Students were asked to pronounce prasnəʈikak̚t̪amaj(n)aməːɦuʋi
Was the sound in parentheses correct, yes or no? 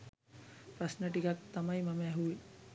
no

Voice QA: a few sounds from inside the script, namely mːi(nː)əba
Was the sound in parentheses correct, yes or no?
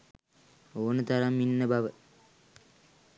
yes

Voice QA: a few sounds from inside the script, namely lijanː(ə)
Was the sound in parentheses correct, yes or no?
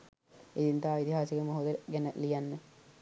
yes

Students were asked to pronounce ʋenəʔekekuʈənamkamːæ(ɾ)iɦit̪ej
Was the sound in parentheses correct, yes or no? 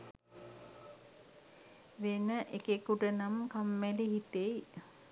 no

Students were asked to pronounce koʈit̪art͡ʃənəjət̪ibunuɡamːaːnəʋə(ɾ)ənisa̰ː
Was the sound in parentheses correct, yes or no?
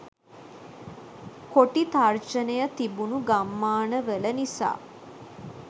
no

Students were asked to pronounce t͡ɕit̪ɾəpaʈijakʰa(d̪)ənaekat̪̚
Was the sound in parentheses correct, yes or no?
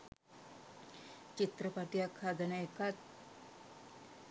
yes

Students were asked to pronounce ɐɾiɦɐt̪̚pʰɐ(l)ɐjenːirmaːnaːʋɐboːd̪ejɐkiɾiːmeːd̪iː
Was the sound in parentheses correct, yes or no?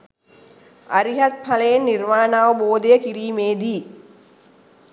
yes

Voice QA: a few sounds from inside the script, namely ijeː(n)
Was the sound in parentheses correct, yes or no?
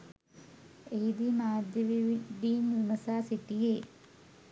no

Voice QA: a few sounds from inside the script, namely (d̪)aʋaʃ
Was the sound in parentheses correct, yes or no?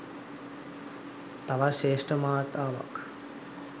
no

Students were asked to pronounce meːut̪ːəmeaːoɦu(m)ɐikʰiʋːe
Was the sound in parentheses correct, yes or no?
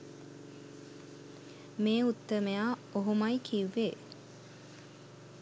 yes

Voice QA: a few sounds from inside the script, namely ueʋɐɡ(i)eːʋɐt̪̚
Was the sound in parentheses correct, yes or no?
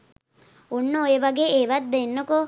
no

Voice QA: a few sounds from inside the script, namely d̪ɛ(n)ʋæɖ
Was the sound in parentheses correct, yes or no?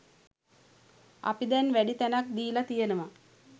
yes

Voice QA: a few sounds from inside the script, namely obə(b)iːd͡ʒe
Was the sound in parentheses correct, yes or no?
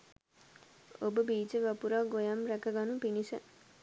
yes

